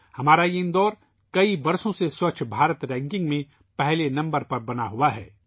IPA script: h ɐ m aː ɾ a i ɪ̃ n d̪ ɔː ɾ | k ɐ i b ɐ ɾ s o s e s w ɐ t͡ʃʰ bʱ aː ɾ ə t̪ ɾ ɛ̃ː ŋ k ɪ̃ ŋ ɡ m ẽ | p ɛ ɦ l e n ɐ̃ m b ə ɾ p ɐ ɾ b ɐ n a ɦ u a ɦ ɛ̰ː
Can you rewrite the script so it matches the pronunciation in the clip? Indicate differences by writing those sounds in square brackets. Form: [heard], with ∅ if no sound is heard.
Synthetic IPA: h ɐ m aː ɾ a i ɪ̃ n d̪ ɔː ɾ | k ɐ i b ɐ ɾ s [õ] s e s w ɐ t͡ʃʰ bʱ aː ɾ ə t̪ ɾ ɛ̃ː ŋ k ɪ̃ ŋ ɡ m ẽ | p ɛ ɦ l e n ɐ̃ m b ə ɾ p ɐ ɾ b ɐ n a ɦ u a ɦ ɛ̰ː